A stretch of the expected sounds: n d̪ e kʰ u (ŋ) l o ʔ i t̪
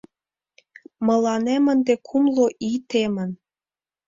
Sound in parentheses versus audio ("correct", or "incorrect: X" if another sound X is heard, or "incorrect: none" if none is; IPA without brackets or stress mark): incorrect: m